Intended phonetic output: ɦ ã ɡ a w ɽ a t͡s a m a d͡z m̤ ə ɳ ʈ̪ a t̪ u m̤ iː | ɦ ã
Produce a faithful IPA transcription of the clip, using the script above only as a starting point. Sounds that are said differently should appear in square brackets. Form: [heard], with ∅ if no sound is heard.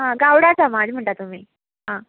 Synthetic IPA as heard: ɦ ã ɡ a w ɽ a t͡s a m a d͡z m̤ ə ɳ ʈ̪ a t̪ u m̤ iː | ɦ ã